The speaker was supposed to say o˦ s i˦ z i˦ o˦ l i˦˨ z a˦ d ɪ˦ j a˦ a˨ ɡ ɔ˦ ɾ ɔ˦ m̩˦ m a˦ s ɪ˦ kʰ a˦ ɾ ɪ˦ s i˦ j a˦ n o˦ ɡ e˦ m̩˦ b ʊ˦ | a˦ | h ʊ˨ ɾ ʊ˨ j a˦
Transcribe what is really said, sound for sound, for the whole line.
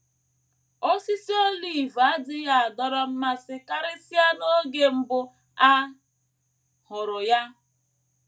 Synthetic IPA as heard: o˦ s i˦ s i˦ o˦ l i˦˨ v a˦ d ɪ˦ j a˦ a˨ d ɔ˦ ɾ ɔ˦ m̩˦ m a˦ s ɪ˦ k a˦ ɾ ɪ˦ s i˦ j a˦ n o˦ ɡ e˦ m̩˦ b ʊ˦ | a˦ | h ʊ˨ ɾ ʊ˨ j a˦